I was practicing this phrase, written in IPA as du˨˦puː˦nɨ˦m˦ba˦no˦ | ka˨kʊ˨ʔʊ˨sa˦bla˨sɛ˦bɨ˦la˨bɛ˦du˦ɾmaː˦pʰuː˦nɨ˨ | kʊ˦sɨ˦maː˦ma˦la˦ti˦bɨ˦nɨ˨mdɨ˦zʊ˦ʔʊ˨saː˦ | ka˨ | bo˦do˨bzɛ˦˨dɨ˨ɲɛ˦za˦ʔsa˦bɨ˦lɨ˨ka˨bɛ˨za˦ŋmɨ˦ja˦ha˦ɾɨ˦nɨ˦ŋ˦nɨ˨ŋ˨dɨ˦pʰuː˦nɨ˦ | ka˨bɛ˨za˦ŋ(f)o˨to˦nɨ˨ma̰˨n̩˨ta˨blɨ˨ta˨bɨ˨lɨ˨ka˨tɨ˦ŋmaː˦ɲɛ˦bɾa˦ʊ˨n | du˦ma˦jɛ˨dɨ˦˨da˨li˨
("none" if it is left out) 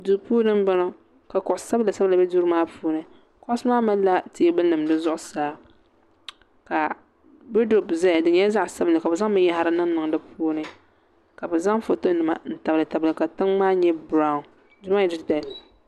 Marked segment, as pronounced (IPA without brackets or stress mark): f